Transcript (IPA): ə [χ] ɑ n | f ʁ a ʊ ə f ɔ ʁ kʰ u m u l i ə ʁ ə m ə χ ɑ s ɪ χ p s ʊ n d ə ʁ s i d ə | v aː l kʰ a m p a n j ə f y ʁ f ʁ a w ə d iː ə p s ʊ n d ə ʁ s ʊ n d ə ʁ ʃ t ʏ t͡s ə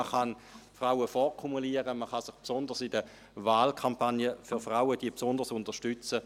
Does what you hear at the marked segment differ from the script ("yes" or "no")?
no